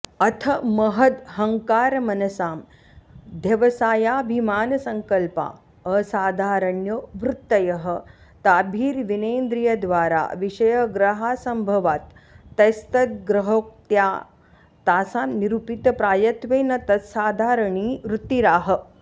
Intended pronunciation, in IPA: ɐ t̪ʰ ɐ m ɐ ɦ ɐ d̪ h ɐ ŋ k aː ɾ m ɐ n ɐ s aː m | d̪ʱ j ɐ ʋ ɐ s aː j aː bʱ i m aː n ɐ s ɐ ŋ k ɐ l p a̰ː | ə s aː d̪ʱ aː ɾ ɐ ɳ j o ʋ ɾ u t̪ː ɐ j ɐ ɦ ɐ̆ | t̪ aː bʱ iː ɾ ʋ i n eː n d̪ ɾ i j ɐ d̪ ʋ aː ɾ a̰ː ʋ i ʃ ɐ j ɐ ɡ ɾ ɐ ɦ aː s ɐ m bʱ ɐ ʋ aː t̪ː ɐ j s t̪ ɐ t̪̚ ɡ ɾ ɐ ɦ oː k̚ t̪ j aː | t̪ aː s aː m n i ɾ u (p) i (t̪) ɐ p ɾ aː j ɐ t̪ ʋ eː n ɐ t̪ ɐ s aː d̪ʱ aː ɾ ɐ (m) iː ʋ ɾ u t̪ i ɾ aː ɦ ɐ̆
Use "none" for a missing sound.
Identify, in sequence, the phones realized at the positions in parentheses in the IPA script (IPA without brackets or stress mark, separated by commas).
p, t̪, ɳ